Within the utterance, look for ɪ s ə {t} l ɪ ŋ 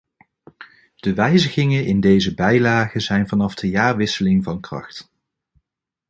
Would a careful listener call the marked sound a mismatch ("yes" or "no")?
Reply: yes